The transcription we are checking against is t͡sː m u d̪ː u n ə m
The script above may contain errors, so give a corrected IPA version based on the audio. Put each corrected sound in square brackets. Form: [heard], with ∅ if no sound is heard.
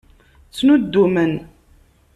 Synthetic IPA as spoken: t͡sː [n] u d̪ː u [m] ə [n]